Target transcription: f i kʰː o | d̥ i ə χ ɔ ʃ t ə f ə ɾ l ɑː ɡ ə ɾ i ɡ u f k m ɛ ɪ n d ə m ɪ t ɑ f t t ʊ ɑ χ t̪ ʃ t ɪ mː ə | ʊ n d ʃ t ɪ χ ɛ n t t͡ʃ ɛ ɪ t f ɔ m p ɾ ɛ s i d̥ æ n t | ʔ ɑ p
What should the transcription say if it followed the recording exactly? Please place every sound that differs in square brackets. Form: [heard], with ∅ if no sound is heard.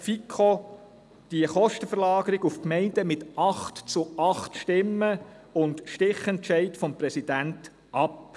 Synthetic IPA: f i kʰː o | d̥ i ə χ ɔ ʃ t ə f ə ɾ l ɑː ɡ ə ɾ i ɡ u f k m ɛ ɪ n d ə m ɪ t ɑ [χ] t [t͡s] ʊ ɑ χ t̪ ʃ t ɪ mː ə | ʊ n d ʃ t ɪ χ ɛ n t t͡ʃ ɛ ɪ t f ɔ m p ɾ ɛ s i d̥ æ n t | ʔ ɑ p